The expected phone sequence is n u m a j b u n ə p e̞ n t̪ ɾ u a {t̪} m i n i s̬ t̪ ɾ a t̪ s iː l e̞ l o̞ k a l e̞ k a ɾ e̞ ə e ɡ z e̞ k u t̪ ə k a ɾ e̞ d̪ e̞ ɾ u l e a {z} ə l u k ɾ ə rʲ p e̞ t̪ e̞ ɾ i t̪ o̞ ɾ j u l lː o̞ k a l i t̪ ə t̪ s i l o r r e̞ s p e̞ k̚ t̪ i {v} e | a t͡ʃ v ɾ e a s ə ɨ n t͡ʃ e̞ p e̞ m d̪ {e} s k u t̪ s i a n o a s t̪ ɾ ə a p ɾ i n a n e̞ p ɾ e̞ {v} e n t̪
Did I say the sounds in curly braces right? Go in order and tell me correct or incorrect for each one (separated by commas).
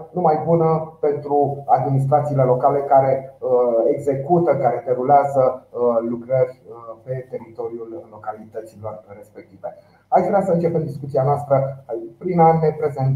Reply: incorrect, correct, correct, incorrect, incorrect